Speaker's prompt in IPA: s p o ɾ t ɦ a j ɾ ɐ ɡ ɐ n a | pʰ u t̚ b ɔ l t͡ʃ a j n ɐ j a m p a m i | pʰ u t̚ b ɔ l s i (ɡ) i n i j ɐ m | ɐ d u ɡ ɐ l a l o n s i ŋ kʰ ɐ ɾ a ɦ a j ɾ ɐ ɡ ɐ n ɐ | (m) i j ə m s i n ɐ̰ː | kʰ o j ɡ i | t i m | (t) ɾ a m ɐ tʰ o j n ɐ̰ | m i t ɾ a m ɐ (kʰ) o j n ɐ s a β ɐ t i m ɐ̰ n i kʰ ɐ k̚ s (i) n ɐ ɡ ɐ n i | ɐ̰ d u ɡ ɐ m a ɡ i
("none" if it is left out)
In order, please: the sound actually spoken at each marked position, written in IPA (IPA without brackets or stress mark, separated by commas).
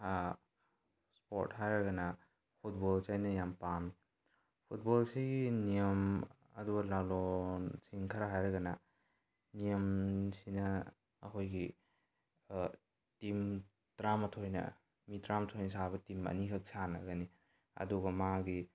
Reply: ɡ, n, t, tʰ, a